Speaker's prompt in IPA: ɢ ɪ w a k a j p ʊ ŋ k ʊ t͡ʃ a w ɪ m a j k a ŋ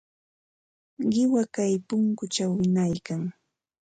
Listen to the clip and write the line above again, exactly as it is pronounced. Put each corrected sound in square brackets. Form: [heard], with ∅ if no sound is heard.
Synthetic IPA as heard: ɢ ɪ w a k a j p ʊ ŋ k ʊ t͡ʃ a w ɪ [n] a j k a ŋ